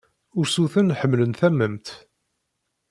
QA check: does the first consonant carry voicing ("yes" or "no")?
yes